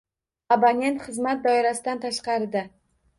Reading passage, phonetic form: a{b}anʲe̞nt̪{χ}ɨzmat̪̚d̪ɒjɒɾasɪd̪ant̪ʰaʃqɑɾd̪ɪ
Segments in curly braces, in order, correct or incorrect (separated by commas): correct, correct